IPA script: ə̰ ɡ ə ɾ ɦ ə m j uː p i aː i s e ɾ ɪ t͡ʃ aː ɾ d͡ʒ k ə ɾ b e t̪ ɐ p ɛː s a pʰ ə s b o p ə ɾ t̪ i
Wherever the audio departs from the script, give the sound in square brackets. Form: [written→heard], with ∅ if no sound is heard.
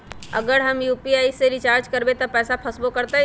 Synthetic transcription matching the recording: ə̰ ɡ ə ɾ ɦ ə m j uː p i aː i s e ɾ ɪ t͡ʃ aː ɾ d͡ʒ k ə ɾ b e t̪ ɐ p ɛː s a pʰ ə s b o [p→k] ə ɾ t̪ [i→a]